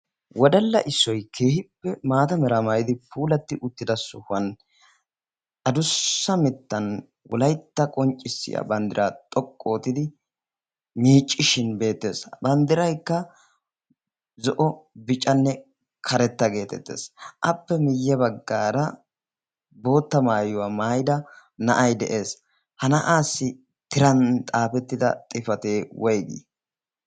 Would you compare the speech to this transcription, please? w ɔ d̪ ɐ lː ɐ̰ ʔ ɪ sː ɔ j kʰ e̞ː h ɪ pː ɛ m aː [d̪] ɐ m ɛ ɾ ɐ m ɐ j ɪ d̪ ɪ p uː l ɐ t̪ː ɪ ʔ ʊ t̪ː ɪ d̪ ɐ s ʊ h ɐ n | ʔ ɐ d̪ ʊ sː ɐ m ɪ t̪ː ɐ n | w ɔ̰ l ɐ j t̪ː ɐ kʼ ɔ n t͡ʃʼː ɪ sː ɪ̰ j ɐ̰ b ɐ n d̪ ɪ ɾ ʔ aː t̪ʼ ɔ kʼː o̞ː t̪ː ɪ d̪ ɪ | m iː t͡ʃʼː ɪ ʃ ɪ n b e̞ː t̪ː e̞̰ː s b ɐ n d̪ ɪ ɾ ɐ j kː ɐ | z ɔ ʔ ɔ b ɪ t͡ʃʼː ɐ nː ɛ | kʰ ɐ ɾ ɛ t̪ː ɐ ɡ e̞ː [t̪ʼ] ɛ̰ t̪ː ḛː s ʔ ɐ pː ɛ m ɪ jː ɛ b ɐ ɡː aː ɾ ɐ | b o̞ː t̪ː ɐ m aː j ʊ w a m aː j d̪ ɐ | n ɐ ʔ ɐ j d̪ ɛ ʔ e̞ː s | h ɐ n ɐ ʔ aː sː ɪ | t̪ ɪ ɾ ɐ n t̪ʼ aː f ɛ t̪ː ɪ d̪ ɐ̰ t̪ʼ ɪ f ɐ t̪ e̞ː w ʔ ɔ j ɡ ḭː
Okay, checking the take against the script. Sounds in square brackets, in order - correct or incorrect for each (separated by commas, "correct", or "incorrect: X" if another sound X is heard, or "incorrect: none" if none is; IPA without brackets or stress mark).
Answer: incorrect: t̪, incorrect: t̪